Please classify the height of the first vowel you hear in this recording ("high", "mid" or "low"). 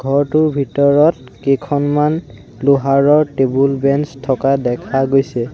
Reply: mid